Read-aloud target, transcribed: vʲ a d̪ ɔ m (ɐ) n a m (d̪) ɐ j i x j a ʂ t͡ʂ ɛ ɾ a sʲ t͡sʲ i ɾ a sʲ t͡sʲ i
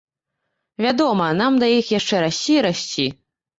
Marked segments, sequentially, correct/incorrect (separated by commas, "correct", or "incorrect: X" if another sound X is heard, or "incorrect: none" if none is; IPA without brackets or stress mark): correct, correct